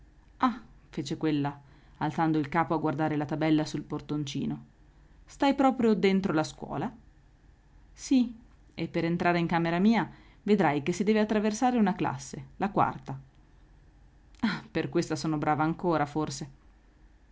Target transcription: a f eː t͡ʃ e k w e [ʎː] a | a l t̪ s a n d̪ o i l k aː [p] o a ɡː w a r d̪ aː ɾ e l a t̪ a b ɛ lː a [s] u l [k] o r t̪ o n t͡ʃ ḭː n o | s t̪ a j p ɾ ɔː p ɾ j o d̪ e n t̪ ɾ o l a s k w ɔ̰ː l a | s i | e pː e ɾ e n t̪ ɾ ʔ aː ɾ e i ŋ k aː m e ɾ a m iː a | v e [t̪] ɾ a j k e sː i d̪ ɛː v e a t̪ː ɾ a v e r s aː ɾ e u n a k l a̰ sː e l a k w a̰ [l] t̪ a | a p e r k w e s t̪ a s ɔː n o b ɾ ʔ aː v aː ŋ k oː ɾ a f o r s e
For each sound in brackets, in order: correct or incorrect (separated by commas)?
incorrect, correct, correct, incorrect, incorrect, incorrect